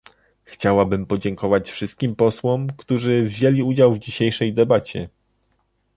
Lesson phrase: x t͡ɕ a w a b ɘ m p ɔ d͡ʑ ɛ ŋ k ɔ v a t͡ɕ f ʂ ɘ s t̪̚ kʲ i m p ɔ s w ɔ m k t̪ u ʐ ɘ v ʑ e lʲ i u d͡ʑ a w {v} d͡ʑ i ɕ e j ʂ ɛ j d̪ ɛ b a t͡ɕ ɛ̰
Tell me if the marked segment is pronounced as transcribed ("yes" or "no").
yes